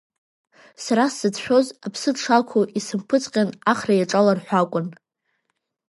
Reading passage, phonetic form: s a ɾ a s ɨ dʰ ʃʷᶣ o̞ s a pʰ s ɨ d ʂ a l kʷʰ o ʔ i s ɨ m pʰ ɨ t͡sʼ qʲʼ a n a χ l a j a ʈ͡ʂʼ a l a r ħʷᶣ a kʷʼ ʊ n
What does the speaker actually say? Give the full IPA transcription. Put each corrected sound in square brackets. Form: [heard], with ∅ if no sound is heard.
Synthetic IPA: s a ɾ a s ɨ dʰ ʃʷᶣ o̞ [z] a pʰ s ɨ d ʂ a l kʷʰ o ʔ i s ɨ m pʰ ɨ t͡sʼ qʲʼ a n a χ [r] a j a ʈ͡ʂʼ a l a r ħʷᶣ a kʷʼ ʊ n